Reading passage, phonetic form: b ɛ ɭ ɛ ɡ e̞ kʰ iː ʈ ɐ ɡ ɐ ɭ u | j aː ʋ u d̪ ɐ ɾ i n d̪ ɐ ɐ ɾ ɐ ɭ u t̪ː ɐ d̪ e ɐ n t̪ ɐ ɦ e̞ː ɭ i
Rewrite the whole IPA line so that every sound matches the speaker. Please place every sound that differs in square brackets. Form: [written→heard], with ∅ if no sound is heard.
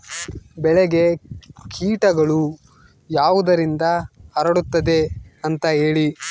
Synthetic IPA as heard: b ɛ ɭ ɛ ɡ e̞ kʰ iː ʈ ɐ ɡ ɐ ɭ u | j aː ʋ u d̪ ɐ ɾ i n d̪ ɐ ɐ ɾ ɐ [ɭ→ɽ] u t̪ː ɐ d̪ e ɐ n t̪ ɐ ɦ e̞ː ɭ i